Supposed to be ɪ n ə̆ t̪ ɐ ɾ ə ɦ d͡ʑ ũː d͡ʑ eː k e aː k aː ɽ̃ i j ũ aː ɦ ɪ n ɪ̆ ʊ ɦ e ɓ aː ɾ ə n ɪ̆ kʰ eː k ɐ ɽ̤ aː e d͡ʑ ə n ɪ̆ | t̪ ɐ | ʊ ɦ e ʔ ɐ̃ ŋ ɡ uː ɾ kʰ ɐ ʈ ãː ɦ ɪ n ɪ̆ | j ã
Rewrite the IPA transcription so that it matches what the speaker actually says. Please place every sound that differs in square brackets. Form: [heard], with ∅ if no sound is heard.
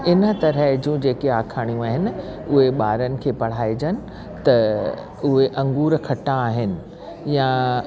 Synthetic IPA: ɪ n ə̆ t̪ ɐ ɾ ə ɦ d͡ʑ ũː d͡ʑ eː k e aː [kʰ] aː ɽ̃ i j ũ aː ɦ ɪ n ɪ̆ ʊ ɦ e ɓ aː ɾ ə n ɪ̆ kʰ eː [p] ɐ ɽ̤ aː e d͡ʑ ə n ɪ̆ | t̪ ɐ | ʊ ɦ e ʔ ɐ̃ ŋ ɡ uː ɾ kʰ ɐ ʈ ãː ɦ ɪ n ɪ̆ | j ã